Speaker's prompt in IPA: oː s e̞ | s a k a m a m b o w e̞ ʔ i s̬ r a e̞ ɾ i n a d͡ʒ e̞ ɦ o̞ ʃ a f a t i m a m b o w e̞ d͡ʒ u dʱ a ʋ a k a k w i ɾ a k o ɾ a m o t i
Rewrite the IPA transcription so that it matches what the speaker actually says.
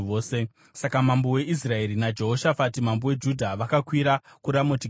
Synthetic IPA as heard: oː s e̞ | s a k a m a m b o w e̞ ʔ i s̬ r a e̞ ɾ i n a d͡ʒ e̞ ɦ o̞ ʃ a f a t i m a m b o w e̞ d͡ʒ u dʱ a ʋ a k a k w i ɾ a k u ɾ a m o t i

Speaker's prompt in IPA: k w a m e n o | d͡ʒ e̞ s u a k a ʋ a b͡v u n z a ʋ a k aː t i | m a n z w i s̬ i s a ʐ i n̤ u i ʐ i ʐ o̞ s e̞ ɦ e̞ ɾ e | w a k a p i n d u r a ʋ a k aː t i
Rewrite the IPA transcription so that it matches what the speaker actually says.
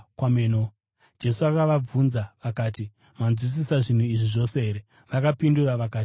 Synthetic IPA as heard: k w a m e n o | d͡ʒ e̞ s u a k a ʋ a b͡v u n z a ʋ a k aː t i | m a n z w i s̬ i s a ʐ i n̤ u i ʐ i ʐ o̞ s e̞ ɦ e̞ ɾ e | ʋ a k a p i n d u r a ʋ a k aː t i

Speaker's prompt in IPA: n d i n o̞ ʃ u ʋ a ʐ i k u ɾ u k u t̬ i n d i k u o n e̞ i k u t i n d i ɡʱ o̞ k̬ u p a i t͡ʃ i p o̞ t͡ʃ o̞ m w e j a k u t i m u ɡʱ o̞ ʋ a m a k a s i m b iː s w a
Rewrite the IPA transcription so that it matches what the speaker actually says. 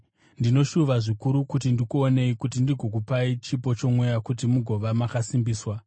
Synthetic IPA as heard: n d i n o̞ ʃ u ʋ a ʐ i k u ɾ u k u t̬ i n d i k u o n e̞ i k u t i n d i ɡʱ o̞ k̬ u p a i t͡ʃ i p o̞ t͡ʃ o̞ m w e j a k u t i m u ɡʱ o̞ ʋ a m a k a s i m b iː s w a

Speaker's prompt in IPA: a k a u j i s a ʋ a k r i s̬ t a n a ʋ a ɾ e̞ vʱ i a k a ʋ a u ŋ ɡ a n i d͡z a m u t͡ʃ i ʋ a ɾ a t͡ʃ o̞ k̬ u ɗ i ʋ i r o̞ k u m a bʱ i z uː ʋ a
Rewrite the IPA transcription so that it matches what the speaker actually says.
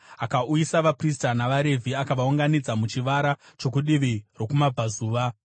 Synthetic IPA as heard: a k a u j i s a ʋ a p r i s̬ t a n a ʋ a ɾ e̞ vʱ i a k a ʋ a u ŋ ɡ a n i d͡z a m u t͡ʃ i ʋ a ɾ a t͡ʃ o̞ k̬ u ɗ i ʋ i r o̞ k u m a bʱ a z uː ʋ a

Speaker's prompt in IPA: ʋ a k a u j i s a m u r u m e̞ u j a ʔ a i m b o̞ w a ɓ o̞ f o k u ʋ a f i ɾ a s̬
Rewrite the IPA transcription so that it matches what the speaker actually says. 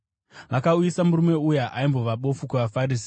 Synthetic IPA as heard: ʋ a k a u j i s a m u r u m e̞ u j a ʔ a i m b o̞ ʋ a ɓ o̞ f u k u ʋ a f a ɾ i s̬

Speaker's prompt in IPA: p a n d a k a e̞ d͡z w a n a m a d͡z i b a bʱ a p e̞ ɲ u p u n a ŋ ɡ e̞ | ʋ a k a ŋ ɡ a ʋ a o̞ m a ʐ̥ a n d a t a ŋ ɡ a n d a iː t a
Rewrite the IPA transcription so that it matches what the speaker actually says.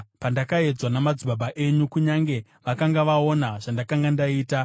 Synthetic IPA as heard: p a n d a k a e̞ d͡z w a n a m a d͡z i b a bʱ a ʔ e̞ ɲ u k u ɲ a ŋ ɡ e̞ | ʋ a k a ŋ ɡ a ʋ a o̞ n a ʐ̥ a n d a k a ŋ ɡ a n d a iː t a

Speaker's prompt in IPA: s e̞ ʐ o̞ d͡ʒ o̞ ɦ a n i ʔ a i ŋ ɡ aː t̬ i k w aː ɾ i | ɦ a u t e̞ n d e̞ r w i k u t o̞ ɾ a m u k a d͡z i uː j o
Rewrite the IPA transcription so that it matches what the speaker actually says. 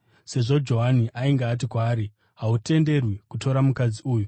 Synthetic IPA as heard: s e̞ ʐ o̞ d͡ʒ o̞ ɦ a n i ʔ a i ŋ ɡ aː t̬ i k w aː ɾ i | ɦ a u t e̞ n d e̞ r w i k u t o̞ ɾ a m u k a d͡z i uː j u

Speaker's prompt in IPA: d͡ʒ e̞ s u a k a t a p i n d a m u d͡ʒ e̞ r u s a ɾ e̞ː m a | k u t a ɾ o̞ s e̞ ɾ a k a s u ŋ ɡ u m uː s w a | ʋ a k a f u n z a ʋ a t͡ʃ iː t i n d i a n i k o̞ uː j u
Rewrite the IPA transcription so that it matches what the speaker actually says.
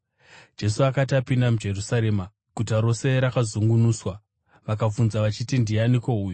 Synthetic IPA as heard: d͡ʒ e̞ s u a k a t a p i n d a m u d͡ʒ e̞ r u s a ɾ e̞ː m a | k u t a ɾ o̞ s e̞ ɾ a k a z u ŋ ɡ u n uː s w a | ʋ a k a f u n z a ʋ a t͡ʃ i t i n d i a n i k o̞ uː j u

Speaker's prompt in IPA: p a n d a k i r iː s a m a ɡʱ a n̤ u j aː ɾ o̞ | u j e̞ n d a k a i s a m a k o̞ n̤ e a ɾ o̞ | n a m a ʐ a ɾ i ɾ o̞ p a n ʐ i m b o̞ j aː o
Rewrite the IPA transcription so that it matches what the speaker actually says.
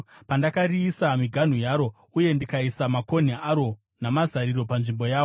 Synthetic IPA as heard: p a n d a k a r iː s a m i ɡʱ a n̤ u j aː ɾ o̞ | u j e̞ n d i k a i s a m a k o̞ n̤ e a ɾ o̞ | n a m a z a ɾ i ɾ o̞ p a n ʐ i m b o̞ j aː o

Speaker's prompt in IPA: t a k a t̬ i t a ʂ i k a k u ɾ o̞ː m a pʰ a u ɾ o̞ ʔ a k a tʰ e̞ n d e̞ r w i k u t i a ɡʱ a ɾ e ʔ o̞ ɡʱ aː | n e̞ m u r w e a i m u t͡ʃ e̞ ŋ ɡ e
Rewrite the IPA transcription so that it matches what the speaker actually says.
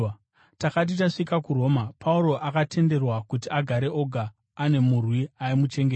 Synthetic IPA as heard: t a k a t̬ i t a ʂ i k a k u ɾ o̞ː m a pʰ a u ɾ o̞ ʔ a k a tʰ e̞ n d e̞ r w a k u t i a ɡʱ a ɾ e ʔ o̞ ɡʱ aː | n e̞ m u r w i a i m u t͡ʃ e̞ ŋ ɡ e

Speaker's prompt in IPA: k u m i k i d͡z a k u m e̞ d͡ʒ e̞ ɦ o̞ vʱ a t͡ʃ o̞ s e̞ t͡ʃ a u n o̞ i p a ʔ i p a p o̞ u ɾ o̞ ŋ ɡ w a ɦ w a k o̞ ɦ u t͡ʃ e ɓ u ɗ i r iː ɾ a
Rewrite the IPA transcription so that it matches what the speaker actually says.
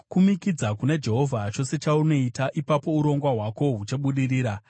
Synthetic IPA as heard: k u m i k i d͡z a k u n e̞ d͡ʒ e̞ ɦ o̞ vʱ a t͡ʃ o̞ s e̞ t͡ʃ a u n o̞ i t a ʔ i p a p o̞ u ɾ o̞ ŋ ɡ w a ɦ w a k o̞ ɦ u t͡ʃ e ɓ u ɗ i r iː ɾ a

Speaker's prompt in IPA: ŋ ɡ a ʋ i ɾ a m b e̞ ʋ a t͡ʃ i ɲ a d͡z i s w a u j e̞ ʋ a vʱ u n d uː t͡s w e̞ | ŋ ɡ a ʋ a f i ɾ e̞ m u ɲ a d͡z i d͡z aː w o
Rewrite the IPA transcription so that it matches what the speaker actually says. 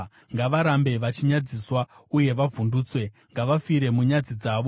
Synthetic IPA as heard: ŋ ɡ a ʋ a ɾ a m b e̞ ʋ a t͡ʃ i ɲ a d͡z i s w a u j e̞ ʋ a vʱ u n d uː t͡s w e̞ | ŋ ɡ a ʋ a f i ɾ e̞ m u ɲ a d͡z i d͡z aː ʋ o

